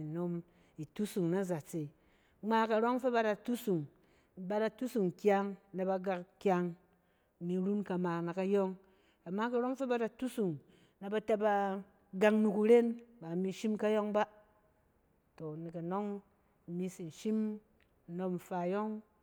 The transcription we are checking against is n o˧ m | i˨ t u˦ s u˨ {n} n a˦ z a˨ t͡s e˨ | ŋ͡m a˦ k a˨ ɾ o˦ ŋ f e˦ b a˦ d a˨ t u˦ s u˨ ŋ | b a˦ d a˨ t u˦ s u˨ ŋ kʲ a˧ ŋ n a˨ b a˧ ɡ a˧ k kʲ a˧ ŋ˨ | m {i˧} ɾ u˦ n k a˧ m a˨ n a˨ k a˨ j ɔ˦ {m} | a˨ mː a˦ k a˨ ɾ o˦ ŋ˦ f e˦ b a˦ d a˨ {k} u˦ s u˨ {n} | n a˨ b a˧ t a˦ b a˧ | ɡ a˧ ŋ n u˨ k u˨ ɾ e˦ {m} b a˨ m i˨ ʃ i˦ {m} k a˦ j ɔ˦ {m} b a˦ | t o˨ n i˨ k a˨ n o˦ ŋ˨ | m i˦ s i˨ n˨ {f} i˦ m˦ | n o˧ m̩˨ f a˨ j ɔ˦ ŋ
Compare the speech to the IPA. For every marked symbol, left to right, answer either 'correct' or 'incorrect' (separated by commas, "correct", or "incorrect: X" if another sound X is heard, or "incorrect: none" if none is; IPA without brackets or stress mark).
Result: incorrect: ŋ, correct, incorrect: ŋ, incorrect: t, incorrect: ŋ, incorrect: n, correct, incorrect: ŋ, incorrect: ʃ